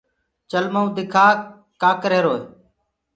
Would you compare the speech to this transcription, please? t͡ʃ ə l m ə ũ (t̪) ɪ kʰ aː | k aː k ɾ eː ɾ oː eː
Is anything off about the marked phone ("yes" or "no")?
yes